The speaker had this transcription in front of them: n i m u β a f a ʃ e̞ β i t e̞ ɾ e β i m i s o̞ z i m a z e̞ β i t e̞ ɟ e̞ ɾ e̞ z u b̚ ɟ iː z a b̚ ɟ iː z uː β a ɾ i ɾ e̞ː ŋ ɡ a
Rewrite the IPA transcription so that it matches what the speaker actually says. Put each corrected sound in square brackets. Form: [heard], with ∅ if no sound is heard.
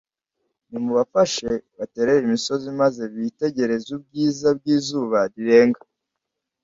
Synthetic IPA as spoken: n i m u β a f a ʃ e̞ β [a] t e̞ ɾ e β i m i s o̞ z i m a z e̞ β i t e̞ ɟ e̞ ɾ e̞ z u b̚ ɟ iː z a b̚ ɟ iː z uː β a ɾ i ɾ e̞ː ŋ ɡ a